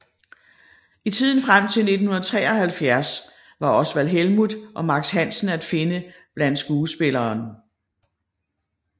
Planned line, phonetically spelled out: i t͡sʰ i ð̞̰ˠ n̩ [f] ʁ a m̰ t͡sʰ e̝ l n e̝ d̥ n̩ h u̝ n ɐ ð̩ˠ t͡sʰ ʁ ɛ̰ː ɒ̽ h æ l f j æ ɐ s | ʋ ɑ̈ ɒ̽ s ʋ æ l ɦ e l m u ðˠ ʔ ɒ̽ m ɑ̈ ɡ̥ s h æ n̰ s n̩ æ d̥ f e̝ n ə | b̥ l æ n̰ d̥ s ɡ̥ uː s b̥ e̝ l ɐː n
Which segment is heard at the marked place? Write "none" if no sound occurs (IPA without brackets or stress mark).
f